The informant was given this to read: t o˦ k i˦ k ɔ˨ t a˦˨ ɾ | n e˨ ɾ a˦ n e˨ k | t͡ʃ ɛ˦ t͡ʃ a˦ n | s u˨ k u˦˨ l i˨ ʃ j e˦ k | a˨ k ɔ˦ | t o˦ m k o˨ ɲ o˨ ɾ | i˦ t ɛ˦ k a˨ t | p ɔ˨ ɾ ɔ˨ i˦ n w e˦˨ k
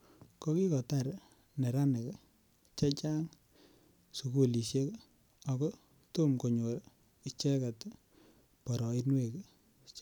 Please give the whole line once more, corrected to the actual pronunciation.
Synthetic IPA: k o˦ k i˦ k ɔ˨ t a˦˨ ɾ | n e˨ ɾ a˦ n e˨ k | t͡ʃ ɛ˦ t͡ʃ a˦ ŋ | s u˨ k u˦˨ l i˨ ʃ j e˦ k | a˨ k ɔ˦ | t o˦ m k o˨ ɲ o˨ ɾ | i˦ t͡ʃ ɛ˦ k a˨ t | p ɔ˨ ɾ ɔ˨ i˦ n w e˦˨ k